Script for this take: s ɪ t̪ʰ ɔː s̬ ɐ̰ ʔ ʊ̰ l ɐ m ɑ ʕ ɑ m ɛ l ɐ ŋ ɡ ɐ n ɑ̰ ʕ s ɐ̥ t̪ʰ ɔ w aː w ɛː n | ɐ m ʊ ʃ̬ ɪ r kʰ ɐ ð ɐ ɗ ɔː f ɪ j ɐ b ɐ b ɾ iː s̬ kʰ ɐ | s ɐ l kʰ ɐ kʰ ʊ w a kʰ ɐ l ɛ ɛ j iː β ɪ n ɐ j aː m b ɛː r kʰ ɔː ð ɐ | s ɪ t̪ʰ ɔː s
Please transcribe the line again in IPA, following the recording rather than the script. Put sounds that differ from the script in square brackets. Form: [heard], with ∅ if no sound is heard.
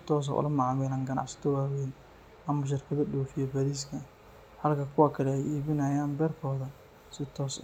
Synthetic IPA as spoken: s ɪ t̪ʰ ɔː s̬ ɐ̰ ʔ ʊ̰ l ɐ m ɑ ʕ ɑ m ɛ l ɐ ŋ ɡ ɐ n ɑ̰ ʕ s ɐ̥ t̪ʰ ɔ w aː w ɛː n | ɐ m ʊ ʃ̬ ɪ r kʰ ɐ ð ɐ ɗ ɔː f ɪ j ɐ b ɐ [∅] ɾ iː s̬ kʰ ɐ | [h] ɐ l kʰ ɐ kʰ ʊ w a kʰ ɐ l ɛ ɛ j iː β ɪ n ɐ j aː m b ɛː r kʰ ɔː ð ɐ | s ɪ t̪ʰ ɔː s